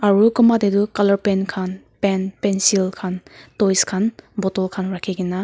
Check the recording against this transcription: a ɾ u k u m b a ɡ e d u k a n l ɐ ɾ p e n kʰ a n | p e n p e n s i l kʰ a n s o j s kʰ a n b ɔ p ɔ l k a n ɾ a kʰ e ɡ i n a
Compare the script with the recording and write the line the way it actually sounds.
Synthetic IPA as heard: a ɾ u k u m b a d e d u k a l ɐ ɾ p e n kʰ a n | p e n p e n s i l kʰ a n t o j s kʰ a n b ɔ t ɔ l kʰ a n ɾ a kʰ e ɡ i n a